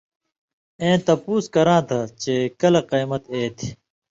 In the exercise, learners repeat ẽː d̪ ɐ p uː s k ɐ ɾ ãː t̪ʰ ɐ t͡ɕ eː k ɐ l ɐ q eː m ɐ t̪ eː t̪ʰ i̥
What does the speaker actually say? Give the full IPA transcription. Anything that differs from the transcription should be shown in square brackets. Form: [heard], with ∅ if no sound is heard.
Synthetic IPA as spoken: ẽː [t̪] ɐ p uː s k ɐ ɾ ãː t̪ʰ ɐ t͡ɕ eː k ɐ l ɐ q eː m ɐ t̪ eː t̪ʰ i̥